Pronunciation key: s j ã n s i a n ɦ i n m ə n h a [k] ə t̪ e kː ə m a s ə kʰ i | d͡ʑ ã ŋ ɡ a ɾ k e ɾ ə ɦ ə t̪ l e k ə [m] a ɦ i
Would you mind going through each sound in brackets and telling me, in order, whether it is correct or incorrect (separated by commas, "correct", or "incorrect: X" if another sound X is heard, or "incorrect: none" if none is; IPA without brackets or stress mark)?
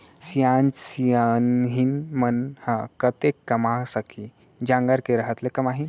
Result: correct, correct